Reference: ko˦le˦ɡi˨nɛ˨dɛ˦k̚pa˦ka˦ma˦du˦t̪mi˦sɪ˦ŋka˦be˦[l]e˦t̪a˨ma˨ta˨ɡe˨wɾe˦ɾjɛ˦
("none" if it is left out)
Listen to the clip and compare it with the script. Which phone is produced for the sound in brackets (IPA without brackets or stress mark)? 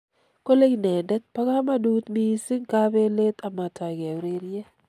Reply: l